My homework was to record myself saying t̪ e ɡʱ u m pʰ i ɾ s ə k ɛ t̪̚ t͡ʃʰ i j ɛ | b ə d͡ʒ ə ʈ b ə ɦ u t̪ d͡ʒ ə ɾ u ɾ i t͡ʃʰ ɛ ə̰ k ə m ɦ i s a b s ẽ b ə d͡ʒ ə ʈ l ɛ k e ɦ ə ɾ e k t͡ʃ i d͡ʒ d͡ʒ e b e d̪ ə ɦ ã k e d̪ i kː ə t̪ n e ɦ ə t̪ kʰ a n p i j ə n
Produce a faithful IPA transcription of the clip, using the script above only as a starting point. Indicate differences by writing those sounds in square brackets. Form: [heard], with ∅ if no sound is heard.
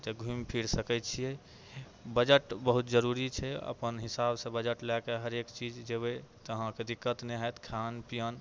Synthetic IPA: t̪ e ɡʱ u m pʰ i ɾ s ə k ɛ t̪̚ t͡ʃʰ i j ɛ | b ə d͡ʒ ə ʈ b ə ɦ u t̪ d͡ʒ ə ɾ u ɾ i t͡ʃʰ ɛ ə̰ [p] ə [n] ɦ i s a b s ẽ b ə d͡ʒ ə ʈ l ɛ k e ɦ ə ɾ e k t͡ʃ i d͡ʒ d͡ʒ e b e [t̪] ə ɦ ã k e d̪ i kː ə t̪ n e ɦ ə t̪ kʰ a n p i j ə n